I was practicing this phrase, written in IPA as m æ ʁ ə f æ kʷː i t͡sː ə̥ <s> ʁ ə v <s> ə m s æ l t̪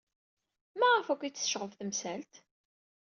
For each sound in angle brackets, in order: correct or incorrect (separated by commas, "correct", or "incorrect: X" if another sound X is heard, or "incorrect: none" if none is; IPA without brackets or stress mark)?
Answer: incorrect: ʃ, incorrect: θ